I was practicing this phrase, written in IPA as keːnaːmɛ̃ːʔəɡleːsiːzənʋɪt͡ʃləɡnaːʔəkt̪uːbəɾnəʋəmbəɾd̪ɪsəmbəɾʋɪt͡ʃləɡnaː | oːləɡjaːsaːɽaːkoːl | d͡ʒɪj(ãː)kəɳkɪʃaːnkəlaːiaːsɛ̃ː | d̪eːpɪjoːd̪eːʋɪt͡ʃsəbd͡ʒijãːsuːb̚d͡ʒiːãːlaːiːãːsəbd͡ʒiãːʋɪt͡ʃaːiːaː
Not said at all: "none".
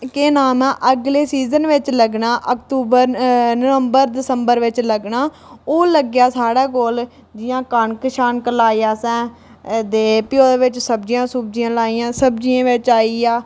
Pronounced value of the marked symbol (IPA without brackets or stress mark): ãː